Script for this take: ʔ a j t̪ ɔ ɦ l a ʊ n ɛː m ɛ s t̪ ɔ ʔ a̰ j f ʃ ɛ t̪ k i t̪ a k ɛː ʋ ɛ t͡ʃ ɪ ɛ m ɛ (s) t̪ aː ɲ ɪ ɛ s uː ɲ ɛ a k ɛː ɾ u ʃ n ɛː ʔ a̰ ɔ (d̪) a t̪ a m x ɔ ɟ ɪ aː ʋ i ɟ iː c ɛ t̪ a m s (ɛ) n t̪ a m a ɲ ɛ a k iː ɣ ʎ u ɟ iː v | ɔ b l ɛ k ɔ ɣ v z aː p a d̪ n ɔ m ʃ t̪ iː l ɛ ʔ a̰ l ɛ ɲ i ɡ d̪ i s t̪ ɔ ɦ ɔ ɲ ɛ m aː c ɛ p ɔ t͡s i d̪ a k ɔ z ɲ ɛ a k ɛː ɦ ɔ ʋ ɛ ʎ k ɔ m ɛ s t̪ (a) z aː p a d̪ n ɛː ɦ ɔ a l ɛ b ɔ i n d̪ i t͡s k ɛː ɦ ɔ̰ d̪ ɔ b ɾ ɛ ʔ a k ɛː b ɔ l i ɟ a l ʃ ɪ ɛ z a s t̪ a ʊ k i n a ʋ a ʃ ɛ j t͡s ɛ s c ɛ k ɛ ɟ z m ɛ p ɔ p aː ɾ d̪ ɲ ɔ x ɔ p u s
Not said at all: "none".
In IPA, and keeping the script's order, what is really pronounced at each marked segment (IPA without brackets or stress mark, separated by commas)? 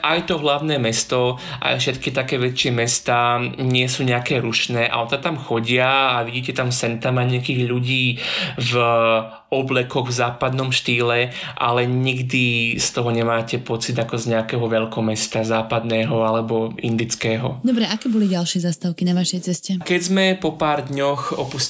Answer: s, t̪, ɛ, a